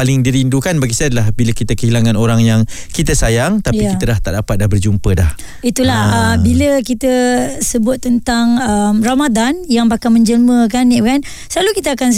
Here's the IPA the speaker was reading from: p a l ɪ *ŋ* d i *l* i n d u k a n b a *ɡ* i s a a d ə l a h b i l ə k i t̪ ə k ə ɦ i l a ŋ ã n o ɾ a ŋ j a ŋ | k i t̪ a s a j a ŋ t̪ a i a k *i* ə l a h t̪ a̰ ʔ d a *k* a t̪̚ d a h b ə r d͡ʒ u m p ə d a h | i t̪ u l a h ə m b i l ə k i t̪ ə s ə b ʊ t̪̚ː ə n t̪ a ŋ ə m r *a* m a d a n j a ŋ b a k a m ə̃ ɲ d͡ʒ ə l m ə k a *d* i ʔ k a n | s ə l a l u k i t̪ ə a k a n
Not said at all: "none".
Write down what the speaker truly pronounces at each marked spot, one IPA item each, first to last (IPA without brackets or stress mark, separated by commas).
ŋ, ɾ, ɡ, i, p, a, n